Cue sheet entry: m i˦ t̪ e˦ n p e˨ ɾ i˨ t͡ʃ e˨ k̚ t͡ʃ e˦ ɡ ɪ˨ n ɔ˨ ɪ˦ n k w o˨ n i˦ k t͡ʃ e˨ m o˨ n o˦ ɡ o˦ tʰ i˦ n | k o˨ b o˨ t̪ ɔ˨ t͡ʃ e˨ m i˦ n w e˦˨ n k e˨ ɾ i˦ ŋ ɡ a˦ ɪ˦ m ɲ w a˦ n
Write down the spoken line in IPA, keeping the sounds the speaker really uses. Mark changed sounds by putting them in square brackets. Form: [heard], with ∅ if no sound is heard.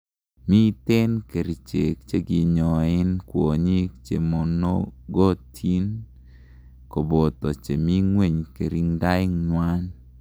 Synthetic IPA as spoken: m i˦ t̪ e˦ n [k] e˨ ɾ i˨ t͡ʃ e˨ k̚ t͡ʃ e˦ ɡ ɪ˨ [ɲ] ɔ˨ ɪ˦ n k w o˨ [ɲ] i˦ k t͡ʃ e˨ m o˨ n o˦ ɡ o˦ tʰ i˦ n | k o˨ b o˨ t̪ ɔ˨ t͡ʃ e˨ m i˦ [ŋ] w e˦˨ [ɲ] k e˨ ɾ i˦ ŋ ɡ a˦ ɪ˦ [ŋ] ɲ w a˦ n